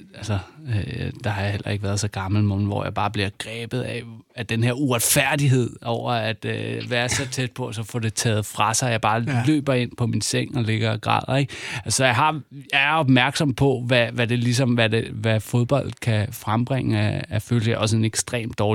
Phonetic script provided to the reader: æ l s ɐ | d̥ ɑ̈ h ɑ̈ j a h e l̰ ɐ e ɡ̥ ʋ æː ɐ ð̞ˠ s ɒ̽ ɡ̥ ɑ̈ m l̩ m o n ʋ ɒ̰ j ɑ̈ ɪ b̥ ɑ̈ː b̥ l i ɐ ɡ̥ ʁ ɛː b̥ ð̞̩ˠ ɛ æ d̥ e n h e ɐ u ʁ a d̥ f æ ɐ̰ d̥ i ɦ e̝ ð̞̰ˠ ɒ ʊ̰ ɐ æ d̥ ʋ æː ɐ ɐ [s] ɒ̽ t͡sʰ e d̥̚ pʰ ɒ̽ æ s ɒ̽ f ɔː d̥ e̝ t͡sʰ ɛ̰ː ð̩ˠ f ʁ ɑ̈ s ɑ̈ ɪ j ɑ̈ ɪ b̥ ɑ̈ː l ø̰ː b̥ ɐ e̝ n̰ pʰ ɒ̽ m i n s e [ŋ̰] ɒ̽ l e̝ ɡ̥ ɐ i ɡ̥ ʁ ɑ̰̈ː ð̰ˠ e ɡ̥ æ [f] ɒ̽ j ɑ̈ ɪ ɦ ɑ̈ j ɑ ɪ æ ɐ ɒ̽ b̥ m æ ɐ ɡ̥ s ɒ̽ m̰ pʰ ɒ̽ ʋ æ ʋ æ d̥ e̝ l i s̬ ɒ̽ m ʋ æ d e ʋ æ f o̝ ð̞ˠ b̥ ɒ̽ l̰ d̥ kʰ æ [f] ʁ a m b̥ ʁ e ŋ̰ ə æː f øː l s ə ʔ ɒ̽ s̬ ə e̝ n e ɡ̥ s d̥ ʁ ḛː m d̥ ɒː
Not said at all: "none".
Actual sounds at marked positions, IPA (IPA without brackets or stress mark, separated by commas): s, ŋ̰, s, f